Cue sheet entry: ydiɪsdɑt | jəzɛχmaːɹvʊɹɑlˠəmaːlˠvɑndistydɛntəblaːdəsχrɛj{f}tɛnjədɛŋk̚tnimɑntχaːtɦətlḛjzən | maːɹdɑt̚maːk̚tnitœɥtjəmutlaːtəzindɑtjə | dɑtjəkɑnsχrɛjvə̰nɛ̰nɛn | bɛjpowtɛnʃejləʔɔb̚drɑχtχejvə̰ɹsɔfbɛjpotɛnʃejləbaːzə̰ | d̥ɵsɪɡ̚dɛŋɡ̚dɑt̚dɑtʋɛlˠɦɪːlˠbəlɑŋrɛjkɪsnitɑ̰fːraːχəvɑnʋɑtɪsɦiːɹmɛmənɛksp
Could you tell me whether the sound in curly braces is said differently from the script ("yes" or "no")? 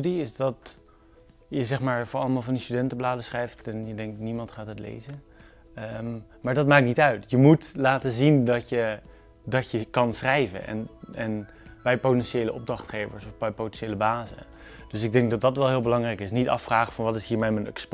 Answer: no